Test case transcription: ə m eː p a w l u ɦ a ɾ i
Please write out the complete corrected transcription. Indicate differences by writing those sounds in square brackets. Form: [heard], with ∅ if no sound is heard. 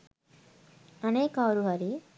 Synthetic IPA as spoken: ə [n] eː [k] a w [ɾ] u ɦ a ɾ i